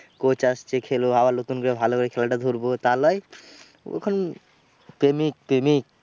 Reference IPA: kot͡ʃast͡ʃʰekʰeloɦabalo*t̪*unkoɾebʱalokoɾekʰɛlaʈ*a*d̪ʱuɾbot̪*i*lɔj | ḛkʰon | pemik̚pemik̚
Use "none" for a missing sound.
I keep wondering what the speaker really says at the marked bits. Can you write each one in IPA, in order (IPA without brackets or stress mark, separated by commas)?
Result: t̪, a, a